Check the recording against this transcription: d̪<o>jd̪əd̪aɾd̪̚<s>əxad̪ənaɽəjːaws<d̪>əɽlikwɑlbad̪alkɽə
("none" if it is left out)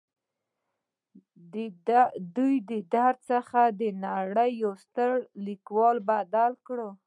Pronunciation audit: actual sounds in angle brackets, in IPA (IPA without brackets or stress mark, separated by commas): u, s, t̪